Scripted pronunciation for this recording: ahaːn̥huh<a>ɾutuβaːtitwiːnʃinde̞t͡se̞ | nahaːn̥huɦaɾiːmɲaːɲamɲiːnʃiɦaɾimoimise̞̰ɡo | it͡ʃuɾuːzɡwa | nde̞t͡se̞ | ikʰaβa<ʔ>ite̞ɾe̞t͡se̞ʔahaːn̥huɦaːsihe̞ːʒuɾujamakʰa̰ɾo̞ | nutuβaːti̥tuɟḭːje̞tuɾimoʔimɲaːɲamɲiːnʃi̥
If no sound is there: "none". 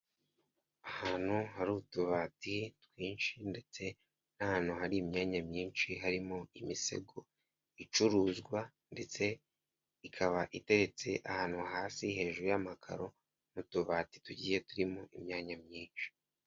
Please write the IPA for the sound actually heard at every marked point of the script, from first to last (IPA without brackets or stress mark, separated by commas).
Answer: a, ʔ